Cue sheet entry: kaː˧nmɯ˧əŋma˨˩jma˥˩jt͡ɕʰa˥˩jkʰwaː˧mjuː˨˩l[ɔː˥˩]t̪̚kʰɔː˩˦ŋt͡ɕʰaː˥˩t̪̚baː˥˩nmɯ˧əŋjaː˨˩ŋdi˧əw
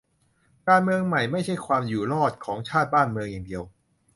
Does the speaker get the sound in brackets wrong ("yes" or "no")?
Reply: no